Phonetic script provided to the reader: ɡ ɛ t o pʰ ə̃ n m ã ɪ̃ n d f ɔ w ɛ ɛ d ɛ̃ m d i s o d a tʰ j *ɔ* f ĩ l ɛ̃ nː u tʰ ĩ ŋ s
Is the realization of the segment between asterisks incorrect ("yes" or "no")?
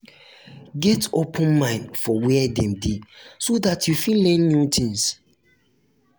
yes